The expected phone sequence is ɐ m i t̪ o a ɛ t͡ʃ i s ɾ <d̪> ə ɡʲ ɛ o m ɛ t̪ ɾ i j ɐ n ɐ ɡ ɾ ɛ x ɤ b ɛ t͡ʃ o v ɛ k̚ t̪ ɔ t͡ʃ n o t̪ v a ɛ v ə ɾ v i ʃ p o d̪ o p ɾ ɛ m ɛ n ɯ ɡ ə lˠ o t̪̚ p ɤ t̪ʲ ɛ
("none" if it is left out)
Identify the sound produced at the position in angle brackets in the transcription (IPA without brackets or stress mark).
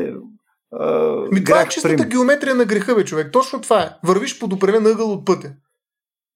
t̪